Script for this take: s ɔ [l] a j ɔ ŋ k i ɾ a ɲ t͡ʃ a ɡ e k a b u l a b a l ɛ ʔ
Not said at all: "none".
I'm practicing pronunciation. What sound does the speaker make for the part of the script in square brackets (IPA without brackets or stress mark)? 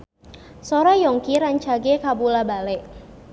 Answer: ɾ